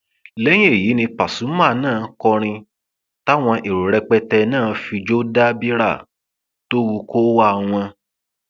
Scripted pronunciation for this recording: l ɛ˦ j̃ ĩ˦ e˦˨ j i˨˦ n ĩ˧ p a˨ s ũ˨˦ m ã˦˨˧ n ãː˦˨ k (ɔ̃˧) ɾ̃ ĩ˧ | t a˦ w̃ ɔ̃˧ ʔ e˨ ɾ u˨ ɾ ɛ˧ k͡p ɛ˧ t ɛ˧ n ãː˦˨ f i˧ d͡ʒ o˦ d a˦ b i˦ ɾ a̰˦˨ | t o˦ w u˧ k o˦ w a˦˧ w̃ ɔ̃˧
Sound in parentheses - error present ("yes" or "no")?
yes